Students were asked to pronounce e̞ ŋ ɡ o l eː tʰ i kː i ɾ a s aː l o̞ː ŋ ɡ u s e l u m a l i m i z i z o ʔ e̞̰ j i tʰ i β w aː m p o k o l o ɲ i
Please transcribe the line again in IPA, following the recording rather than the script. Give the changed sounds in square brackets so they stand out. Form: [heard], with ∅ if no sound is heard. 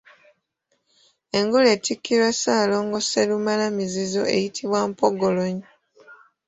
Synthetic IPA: e̞ ŋ ɡ o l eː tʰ i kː i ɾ a s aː l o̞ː ŋ ɡ [o] s e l u m a l [a] m i z i z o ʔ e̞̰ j i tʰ i β w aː m p o [ɡ] o l o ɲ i